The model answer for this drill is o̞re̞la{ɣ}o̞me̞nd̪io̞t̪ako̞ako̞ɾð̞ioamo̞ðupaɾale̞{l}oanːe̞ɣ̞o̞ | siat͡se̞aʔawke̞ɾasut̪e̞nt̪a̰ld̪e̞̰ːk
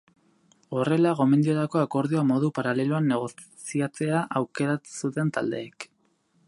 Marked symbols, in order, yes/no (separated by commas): yes, yes